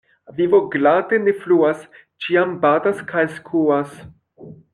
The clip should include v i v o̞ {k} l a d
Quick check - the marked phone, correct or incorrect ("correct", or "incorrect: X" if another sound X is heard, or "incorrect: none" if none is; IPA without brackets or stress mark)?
incorrect: ɡ